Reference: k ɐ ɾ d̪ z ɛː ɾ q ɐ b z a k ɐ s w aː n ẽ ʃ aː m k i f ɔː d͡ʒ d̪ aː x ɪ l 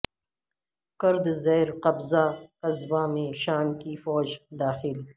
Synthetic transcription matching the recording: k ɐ ɾ d̪ z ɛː ɾ q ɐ b z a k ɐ z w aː m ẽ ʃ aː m k i f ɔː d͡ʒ d̪ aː x ɪ l